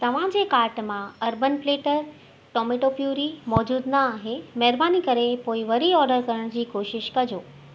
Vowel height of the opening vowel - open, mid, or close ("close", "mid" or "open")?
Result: open